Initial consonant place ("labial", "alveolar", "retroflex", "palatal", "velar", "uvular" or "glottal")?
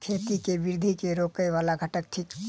velar